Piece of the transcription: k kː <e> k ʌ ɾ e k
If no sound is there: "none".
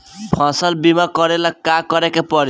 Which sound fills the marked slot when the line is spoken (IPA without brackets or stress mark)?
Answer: a